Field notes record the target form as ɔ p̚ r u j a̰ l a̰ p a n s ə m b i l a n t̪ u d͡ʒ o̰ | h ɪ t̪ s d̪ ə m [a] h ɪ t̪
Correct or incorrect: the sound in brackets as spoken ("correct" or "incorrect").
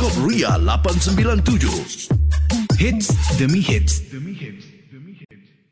incorrect